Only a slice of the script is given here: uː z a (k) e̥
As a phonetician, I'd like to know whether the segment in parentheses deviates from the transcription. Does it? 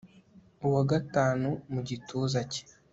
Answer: yes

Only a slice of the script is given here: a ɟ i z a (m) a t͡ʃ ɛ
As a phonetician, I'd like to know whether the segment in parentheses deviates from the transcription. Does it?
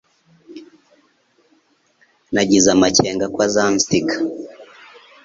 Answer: no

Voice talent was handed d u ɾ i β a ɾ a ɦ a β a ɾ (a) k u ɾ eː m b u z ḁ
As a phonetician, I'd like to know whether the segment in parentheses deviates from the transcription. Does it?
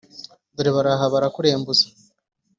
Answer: no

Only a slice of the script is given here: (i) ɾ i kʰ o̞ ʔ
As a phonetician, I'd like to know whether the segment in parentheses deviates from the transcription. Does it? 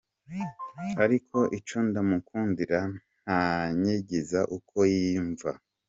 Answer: yes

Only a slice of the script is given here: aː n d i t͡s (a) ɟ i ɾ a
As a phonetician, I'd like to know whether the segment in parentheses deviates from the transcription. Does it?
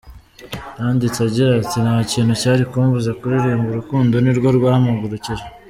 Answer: no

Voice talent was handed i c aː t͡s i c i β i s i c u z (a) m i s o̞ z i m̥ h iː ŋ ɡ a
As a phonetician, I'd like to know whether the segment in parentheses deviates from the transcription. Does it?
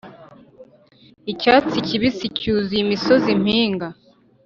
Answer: yes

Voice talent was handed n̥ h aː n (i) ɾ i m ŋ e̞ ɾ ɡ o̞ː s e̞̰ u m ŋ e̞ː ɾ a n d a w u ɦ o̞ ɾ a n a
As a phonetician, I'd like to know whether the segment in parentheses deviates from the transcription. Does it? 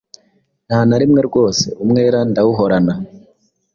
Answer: yes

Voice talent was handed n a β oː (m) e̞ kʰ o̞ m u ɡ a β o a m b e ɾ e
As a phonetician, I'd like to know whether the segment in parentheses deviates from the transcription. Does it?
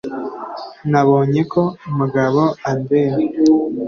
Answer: yes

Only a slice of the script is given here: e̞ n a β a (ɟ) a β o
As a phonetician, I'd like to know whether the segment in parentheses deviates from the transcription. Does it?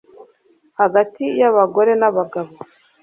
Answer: yes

